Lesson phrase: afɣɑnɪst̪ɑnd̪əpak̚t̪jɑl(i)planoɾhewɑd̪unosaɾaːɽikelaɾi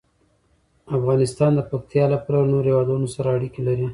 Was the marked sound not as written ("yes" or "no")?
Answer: yes